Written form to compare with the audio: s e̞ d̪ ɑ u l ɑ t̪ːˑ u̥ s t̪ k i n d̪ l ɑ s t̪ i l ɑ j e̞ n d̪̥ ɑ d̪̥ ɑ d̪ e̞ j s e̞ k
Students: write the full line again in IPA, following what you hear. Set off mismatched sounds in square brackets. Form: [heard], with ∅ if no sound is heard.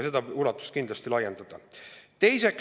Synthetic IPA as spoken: s e̞ d̪ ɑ u l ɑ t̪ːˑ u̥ s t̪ k i n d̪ l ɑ s t̪ i l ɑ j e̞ n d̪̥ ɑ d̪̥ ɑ [t̪] e̞ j s e̞ k